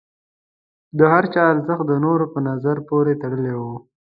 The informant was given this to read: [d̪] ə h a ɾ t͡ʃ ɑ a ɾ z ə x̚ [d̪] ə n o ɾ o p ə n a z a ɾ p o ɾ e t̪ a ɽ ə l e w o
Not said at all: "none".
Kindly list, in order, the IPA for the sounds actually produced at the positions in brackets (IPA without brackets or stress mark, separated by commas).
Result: d̪, d̪